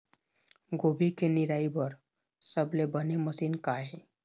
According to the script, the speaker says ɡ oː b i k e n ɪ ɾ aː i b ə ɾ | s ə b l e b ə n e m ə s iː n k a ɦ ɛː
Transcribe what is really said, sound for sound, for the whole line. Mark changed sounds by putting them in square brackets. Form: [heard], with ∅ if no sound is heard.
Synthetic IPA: ɡ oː b i k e n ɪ ɾ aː i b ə ɾ | s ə b l e b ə n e m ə s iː n k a ɦ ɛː